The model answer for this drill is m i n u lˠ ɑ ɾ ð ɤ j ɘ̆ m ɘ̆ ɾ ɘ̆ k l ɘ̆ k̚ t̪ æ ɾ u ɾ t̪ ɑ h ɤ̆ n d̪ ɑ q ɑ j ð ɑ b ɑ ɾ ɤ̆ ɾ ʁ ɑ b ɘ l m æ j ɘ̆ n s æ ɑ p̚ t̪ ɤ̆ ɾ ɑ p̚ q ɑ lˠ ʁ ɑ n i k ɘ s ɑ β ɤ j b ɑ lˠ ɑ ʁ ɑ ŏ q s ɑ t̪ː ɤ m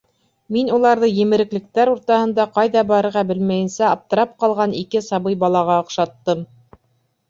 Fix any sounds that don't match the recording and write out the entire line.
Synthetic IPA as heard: m i n u lˠ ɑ ɾ ð ɤ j ɘ̆ m ɘ̆ ɾ ɘ̆ k l ɘ̆ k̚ t̪ æ ɾ u ɾ t̪ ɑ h ɤ̆ n d̪ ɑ q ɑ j ð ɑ b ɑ ɾ ɤ̆ ɾ ʁ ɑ b ɘ l m æ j ɘ̆ n s æ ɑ p̚ t̪ ɤ̆ ɾ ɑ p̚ q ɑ lˠ ʁ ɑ n i k ɘ s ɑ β ɤ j b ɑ lˠ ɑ ʁ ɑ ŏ q ʃ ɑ t̪ː ɤ m